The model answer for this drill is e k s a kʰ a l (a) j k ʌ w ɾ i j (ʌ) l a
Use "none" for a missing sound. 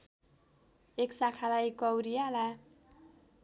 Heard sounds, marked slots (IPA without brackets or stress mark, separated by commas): a, a